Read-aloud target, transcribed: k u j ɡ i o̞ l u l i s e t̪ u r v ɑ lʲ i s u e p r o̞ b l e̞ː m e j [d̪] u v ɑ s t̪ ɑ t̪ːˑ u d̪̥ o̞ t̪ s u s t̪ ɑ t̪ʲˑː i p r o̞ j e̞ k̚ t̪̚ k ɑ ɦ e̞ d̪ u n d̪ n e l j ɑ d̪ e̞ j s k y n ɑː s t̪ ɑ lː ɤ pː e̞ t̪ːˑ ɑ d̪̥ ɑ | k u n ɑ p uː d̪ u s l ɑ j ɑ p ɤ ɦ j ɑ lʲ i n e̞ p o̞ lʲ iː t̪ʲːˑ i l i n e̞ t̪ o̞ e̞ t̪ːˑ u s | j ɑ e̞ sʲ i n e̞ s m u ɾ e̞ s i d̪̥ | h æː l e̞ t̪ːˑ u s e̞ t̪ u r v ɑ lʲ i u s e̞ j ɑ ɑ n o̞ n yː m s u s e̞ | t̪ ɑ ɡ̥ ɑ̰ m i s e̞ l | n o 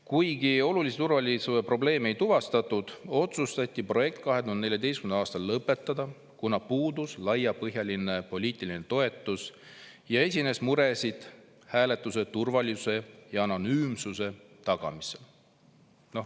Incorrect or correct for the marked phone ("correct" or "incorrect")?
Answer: incorrect